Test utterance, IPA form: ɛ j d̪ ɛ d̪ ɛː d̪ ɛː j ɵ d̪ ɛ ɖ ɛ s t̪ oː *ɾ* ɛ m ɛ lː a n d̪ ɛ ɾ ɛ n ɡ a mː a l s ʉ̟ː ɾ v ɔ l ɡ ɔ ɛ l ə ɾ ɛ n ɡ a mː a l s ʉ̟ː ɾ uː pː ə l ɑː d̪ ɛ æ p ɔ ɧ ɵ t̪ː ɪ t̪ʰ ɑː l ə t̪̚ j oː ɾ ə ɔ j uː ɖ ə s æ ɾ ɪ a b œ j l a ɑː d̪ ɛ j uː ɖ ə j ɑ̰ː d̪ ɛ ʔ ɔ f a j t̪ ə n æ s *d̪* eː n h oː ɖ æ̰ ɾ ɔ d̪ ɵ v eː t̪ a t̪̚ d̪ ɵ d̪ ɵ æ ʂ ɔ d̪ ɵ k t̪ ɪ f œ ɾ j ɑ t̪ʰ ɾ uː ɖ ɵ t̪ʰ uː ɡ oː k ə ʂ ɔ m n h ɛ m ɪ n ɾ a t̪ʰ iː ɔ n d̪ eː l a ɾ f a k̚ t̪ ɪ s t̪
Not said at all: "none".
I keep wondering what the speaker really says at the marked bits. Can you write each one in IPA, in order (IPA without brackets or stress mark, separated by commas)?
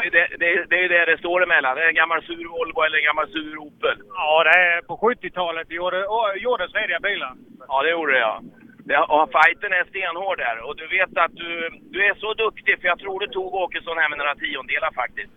ɾ, t̪